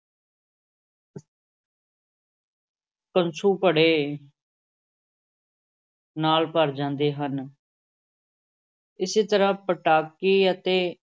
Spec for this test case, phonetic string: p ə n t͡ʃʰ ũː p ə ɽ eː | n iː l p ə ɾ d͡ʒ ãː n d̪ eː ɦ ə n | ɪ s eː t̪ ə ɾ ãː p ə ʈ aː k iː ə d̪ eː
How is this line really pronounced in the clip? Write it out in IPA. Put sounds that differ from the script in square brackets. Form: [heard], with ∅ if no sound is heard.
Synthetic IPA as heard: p ə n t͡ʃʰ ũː p ə ɽ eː | n [aː] l p ə ɾ d͡ʒ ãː n d̪ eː ɦ ə n | ɪ s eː t̪ ə ɾ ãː p ə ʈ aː k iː ə [t̪] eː